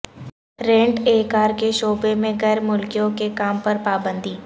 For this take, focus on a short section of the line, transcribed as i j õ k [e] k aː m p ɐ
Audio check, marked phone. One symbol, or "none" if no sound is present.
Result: e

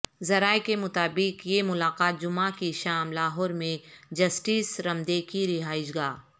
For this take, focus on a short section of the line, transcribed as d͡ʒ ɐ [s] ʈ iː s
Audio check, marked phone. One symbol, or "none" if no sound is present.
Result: s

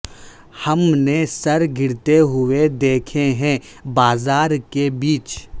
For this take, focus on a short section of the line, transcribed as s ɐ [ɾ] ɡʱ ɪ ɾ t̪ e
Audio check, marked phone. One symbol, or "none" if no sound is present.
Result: ɾ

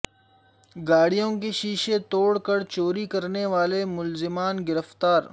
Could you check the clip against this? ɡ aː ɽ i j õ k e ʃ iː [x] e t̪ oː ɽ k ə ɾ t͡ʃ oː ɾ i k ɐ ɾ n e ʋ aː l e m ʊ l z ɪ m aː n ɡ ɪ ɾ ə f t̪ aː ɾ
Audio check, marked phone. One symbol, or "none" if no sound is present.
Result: ʃ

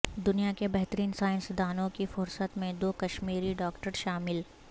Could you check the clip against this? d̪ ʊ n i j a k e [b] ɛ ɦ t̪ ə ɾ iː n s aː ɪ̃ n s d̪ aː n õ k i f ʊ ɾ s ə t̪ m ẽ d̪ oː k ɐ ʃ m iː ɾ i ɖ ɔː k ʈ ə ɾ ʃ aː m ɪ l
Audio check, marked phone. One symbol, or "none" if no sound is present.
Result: b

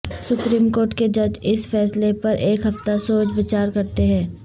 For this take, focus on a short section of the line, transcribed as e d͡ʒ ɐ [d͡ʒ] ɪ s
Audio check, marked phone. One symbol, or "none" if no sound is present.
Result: d͡ʒ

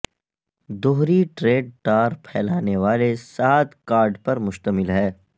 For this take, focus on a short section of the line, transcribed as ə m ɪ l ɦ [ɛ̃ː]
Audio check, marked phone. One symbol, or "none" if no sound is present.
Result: ɛː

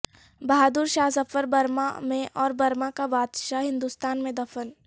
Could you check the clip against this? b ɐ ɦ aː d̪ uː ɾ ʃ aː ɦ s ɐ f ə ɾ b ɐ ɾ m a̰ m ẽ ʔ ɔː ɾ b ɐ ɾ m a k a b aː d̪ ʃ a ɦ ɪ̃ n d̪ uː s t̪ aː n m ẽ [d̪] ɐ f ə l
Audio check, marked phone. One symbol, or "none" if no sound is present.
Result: d̪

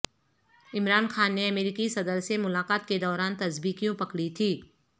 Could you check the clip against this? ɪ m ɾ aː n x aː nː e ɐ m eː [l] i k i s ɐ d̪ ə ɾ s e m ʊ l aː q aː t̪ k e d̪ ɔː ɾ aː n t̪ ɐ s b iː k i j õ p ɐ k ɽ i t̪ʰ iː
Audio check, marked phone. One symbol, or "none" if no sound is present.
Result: ɾ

